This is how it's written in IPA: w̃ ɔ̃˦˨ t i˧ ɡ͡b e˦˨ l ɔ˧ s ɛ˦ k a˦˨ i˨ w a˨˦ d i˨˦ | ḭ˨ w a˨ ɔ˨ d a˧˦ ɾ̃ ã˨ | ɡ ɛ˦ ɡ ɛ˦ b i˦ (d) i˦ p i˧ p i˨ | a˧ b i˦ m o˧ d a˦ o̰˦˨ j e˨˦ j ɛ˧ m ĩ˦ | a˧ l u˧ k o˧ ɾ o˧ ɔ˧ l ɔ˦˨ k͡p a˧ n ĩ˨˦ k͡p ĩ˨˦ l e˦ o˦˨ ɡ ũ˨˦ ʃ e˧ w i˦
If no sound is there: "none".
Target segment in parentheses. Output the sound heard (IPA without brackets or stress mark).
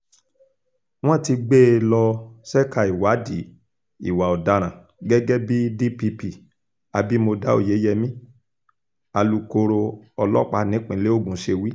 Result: d